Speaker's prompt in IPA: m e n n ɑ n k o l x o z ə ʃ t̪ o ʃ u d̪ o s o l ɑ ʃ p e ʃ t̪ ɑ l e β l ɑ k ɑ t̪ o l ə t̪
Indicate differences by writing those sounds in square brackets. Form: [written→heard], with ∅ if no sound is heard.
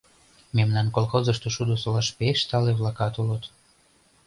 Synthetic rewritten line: m e [n→m] n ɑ n k o l x o z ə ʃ t̪ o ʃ u d̪ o s o l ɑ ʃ p e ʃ t̪ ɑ l e β l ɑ k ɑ t̪ [o→u] l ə t̪

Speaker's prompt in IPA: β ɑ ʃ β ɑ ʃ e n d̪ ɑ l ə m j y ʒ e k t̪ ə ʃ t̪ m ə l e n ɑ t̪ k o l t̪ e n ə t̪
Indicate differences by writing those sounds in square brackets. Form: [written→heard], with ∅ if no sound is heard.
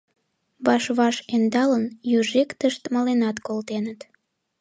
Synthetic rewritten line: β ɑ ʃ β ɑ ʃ e n d̪ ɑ l ə [m→n] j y ʒ e k t̪ ə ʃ t̪ m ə l e n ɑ t̪ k o l t̪ e n ə t̪

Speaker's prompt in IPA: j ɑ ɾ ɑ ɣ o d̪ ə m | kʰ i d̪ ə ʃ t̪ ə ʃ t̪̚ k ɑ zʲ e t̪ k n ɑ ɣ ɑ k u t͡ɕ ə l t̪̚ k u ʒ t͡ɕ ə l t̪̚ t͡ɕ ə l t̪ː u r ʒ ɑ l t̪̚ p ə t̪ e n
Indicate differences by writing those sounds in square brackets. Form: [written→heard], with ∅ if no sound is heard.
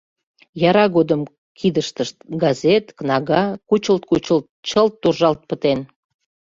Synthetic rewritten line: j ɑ ɾ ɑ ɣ o d̪ ə m | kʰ i d̪ ə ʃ t̪ ə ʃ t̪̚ [k→ɡ] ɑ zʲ e t̪ k n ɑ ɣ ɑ k u t͡ɕ ə l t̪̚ k u [ʒ→∅] t͡ɕ ə l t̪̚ t͡ɕ ə l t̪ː u r ʒ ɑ l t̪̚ p ə t̪ e n

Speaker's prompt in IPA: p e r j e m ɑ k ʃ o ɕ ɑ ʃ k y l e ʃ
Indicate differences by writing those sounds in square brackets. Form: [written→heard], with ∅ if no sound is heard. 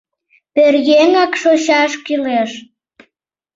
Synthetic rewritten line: p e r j e [m→ŋ] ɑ k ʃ o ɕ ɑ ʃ k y l e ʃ

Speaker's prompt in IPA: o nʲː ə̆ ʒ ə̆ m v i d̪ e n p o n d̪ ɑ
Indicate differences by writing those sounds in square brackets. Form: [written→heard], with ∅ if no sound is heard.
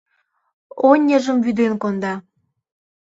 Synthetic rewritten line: o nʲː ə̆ ʒ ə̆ m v [i→y] d̪ e n [p→k] o n d̪ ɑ

